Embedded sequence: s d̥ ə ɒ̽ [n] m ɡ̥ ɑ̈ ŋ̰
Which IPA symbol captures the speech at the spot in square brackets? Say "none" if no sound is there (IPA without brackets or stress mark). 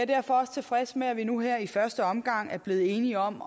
none